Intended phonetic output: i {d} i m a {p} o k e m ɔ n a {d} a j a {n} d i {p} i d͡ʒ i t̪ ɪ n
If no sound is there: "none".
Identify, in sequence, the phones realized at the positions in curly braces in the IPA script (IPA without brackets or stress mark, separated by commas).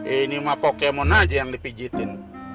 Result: n, p, d͡ʒ, ŋ, p